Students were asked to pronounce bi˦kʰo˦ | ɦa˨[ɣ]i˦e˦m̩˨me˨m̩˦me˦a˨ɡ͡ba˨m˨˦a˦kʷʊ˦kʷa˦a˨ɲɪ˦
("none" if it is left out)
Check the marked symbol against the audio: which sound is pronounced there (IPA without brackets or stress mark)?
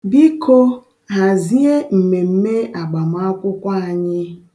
z